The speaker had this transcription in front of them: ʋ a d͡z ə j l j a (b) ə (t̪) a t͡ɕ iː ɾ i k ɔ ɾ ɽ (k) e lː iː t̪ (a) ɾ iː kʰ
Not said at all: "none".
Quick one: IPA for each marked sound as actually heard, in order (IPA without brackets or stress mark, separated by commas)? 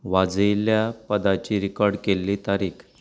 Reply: p, d̪, k, a